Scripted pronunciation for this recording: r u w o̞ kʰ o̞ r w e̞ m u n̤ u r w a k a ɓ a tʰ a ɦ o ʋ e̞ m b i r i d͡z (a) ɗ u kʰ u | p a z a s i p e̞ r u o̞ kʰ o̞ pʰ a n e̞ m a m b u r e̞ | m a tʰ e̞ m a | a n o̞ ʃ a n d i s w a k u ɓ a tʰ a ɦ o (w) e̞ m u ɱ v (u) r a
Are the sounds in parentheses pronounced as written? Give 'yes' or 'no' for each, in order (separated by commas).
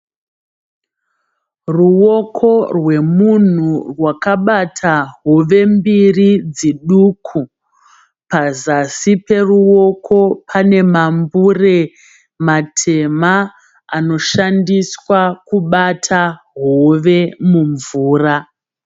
no, no, no